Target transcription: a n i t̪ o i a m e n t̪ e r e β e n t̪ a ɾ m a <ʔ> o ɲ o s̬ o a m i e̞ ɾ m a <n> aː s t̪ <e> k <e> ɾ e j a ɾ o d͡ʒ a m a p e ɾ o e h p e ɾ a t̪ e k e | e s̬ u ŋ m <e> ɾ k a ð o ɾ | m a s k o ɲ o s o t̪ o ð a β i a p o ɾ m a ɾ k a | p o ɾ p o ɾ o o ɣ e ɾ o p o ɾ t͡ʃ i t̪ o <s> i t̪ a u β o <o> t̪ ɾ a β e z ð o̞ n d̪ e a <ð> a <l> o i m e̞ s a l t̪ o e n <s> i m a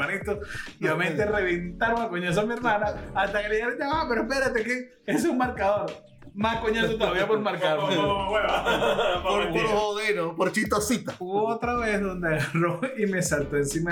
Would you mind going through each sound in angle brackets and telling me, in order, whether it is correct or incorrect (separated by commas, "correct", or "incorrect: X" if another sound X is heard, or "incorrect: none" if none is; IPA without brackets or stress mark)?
incorrect: k, correct, incorrect: a, correct, incorrect: a, correct, correct, incorrect: ɣ, incorrect: r, correct